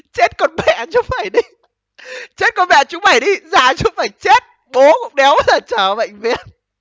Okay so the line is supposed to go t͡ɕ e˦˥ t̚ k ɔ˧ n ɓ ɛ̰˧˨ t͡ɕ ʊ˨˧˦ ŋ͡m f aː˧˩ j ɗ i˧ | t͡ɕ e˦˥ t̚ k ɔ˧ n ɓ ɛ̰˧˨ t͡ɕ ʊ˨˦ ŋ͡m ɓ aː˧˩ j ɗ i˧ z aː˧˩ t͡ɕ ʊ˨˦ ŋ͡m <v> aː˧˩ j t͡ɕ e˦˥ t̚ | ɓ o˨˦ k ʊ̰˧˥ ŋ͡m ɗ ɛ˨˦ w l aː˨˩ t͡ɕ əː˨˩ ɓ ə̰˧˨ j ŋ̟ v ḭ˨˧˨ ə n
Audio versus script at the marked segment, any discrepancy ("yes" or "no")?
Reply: yes